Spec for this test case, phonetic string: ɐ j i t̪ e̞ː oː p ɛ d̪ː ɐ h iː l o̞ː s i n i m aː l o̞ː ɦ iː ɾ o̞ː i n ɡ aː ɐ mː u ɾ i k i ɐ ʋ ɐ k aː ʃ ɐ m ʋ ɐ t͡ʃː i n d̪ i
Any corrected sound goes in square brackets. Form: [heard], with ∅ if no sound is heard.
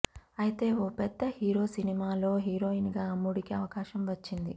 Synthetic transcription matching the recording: ɐ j i t̪ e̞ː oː p ɛ d̪ː ɐ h iː [ɾ] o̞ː s i n i m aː l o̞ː ɦ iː ɾ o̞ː i n ɡ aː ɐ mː u [ɽ] i k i ɐ ʋ ɐ k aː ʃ ɐ m ʋ ɐ t͡ʃː i n d̪ i